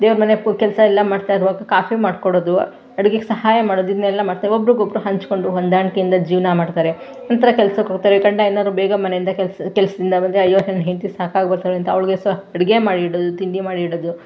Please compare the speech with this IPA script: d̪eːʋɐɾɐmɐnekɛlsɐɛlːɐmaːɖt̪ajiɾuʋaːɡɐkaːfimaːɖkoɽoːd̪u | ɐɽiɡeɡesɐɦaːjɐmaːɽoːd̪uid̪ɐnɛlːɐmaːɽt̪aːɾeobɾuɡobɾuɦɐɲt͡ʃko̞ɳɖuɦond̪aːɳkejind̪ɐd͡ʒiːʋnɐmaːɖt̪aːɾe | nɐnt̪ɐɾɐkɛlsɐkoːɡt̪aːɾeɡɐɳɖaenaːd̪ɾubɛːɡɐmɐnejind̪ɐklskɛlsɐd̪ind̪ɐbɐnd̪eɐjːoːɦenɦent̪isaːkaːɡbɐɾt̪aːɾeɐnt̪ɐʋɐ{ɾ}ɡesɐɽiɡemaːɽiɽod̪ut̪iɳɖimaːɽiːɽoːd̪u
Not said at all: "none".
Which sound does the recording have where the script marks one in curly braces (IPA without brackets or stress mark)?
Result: ɭ